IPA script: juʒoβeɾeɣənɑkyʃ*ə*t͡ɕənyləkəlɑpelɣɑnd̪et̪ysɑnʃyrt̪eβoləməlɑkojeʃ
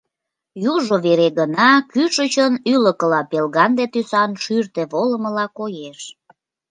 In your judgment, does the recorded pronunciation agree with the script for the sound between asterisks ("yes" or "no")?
yes